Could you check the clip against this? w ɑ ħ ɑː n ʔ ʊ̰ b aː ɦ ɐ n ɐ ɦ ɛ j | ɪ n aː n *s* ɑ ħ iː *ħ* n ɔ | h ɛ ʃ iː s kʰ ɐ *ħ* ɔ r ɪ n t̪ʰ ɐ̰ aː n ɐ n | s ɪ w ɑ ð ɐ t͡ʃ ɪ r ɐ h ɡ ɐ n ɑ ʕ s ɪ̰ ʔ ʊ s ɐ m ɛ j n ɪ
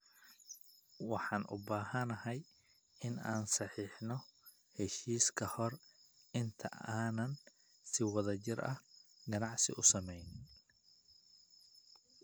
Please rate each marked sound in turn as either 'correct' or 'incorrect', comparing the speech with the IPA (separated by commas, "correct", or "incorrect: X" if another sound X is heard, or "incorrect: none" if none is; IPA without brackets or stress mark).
correct, correct, incorrect: h